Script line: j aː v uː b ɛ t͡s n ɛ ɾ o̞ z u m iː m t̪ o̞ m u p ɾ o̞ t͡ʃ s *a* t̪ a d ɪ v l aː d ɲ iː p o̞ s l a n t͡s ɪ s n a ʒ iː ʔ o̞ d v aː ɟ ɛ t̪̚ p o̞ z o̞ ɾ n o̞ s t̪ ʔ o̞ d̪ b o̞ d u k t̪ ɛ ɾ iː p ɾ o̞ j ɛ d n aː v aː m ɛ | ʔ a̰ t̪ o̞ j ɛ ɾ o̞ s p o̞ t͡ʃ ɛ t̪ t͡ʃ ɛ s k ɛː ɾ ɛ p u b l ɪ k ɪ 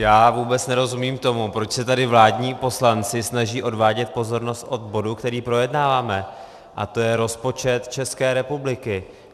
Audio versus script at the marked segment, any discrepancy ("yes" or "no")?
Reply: yes